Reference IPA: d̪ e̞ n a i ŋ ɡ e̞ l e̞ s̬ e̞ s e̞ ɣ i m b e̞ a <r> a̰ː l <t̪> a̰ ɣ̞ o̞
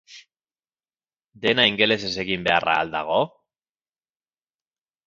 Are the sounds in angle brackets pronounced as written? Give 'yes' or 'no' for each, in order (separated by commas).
yes, no